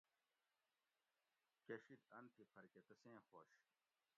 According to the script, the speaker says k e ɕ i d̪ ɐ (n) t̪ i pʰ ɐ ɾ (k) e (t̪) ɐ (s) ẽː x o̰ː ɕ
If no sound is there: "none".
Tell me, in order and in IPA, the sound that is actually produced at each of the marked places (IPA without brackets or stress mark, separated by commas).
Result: n, k, t̪, s